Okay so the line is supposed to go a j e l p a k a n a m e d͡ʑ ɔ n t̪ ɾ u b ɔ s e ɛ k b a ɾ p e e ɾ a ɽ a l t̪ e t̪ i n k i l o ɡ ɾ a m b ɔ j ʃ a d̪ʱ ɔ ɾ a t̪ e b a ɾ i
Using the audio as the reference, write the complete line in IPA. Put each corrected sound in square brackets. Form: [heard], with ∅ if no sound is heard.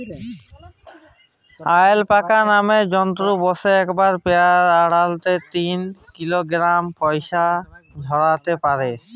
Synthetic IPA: a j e l p a k a n a m e d͡ʑ ɔ n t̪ ɾ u b ɔ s e ɛ k b a ɾ p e [a] ɾ a ɽ a l t̪ e t̪ i n k i l o ɡ ɾ a m [p] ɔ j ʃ a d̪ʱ ɔ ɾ a t̪ e [p] a ɾ [e]